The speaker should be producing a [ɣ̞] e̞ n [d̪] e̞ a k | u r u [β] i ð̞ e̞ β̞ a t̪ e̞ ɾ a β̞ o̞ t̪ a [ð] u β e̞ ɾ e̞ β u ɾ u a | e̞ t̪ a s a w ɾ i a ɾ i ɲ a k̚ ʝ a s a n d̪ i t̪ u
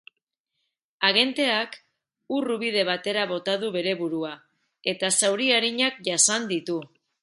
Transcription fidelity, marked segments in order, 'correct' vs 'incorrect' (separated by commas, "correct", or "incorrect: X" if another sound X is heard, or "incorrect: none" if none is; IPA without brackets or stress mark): correct, incorrect: t̪, correct, correct